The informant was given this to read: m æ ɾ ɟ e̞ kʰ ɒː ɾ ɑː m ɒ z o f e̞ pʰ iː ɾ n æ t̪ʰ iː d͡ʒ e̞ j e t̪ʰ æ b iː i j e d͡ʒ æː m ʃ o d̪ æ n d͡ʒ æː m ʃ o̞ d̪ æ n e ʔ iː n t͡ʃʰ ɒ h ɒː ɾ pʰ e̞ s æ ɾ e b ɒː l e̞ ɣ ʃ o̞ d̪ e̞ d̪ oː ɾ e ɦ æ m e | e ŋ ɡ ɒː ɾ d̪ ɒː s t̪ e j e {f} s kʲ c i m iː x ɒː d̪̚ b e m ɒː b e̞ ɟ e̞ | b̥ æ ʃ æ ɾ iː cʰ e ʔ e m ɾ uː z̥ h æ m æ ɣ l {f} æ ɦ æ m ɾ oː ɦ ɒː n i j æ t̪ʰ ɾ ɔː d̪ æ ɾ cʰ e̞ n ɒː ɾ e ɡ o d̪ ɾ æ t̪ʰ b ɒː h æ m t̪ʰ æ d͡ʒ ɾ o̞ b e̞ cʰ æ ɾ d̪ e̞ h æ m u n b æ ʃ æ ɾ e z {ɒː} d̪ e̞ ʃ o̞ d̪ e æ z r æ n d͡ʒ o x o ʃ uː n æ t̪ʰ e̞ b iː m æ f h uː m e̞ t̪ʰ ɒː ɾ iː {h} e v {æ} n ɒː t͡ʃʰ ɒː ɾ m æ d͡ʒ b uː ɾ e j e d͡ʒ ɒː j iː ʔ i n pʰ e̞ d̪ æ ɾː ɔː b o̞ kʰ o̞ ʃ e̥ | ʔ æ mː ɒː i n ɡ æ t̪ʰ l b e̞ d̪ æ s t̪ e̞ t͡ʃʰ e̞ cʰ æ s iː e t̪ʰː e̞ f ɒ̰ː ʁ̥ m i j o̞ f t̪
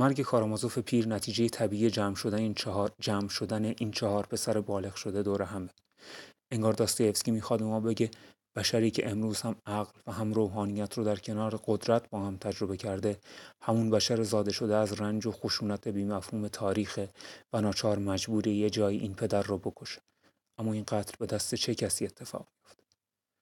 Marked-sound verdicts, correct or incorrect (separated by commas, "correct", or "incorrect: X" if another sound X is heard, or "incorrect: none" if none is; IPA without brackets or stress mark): correct, incorrect: v, correct, incorrect: x, correct